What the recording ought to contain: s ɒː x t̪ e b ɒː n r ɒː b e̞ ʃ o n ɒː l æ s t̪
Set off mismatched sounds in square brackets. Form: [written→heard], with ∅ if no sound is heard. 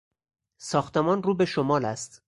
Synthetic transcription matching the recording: s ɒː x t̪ e [b→m] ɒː n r [ɒː→uː] b e̞ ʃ o [n→m] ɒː l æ s t̪